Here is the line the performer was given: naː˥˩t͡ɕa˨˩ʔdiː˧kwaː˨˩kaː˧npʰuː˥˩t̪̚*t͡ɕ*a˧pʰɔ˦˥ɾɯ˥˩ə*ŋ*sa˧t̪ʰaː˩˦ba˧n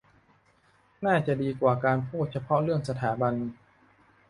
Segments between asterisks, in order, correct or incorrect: incorrect, correct

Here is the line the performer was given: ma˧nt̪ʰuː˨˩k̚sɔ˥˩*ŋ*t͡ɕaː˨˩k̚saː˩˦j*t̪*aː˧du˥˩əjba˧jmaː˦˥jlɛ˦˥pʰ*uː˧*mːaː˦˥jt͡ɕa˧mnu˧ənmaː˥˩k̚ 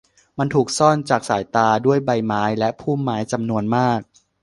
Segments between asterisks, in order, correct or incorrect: incorrect, correct, incorrect

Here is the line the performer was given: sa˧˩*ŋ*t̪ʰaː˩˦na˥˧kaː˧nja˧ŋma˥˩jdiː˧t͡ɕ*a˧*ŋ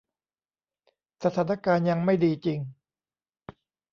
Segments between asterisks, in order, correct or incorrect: incorrect, incorrect

